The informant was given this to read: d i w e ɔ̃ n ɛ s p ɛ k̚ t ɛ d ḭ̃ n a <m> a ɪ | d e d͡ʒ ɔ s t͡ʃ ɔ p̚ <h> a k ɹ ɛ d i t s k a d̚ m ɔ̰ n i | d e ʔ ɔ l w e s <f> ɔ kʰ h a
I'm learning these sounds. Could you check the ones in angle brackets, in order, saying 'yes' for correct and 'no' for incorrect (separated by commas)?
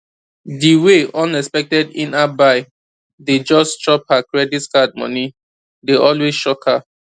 no, yes, no